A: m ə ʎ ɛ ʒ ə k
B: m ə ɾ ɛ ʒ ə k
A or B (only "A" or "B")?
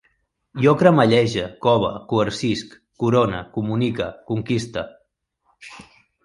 A